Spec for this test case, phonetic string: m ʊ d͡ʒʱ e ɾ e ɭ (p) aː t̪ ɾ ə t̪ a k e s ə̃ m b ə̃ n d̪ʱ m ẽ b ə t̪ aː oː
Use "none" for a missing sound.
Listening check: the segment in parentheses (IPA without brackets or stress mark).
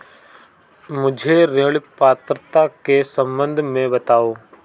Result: p